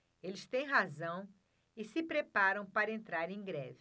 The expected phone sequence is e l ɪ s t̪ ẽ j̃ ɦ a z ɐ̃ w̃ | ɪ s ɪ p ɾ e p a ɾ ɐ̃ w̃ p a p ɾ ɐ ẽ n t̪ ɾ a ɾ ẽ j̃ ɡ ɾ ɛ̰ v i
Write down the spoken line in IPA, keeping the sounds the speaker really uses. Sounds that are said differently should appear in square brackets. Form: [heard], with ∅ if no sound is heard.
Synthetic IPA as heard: e l ɪ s t̪ ẽ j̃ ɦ a z ɐ̃ w̃ | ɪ s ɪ p ɾ e p a ɾ ɐ̃ w̃ p a [∅] ɾ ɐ ẽ n t̪ ɾ a ɾ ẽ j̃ ɡ ɾ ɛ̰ v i